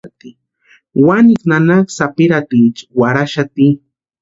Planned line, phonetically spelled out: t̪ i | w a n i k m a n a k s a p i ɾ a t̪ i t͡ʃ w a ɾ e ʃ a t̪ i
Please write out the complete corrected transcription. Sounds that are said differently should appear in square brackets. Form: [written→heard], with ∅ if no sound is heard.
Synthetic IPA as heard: t̪ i | w a n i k [m→n] a n a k s a p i ɾ a t̪ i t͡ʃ w a ɾ [e→a] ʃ a t̪ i